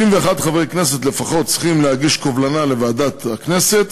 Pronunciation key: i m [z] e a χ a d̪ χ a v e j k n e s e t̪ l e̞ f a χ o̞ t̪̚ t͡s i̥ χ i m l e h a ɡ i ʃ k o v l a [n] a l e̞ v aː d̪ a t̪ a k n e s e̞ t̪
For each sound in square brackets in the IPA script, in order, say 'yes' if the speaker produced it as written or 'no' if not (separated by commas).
no, yes